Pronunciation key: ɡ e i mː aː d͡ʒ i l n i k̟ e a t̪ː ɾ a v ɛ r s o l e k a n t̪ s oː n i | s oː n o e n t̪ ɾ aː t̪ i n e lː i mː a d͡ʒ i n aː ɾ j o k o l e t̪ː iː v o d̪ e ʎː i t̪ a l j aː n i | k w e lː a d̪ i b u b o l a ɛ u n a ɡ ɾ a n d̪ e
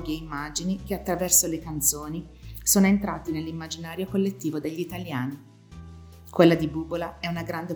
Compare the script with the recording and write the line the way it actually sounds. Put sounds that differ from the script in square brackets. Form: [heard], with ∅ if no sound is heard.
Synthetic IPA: ɡ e i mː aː d͡ʒ i [∅] n i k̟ e a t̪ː ɾ a v ɛ r s o l e k a n t̪ s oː n i | s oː n o e n t̪ ɾ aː t̪ i n e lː i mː a d͡ʒ i n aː ɾ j o k o [lː] e t̪ː iː v o d̪ e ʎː i t̪ a l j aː n i | k w e lː a d̪ i b u b o l a ɛ u n a ɡ ɾ a n d̪ e